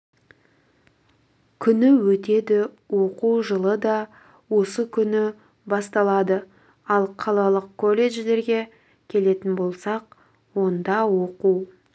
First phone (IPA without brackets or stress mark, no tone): kʲʰ